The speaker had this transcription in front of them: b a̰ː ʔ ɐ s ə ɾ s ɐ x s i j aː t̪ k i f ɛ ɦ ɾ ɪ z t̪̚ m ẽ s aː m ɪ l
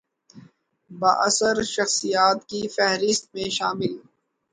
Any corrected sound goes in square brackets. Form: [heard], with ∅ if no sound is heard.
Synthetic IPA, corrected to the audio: b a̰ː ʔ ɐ s ə ɾ [ʃ] ɐ x s i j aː t̪ k i f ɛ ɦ ɾ ɪ [s] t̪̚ m ẽ [ʃ] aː m ɪ l